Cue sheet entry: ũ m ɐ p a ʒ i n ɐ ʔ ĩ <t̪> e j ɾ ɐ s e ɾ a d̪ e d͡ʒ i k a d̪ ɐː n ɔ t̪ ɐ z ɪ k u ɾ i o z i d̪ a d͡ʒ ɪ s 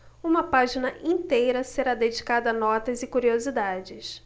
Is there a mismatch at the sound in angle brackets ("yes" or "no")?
no